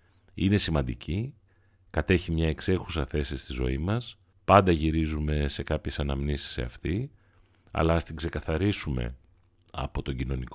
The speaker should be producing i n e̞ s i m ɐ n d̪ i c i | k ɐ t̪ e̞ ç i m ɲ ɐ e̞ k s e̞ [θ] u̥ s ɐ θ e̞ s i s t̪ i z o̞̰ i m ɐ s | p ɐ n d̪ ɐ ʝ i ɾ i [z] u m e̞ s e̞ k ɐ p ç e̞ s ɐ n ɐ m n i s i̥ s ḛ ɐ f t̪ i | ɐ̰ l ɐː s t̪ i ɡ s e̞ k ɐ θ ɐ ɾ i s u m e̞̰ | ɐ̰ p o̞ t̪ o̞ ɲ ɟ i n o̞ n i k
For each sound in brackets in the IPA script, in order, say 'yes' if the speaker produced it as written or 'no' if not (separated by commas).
no, yes